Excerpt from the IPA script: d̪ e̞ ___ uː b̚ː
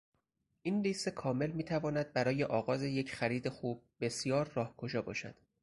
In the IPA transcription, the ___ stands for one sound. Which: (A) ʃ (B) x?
B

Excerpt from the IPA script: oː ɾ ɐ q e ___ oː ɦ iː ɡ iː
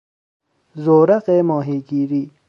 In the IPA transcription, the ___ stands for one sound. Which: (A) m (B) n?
A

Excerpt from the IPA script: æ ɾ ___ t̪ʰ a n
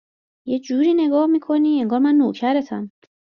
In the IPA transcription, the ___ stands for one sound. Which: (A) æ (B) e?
B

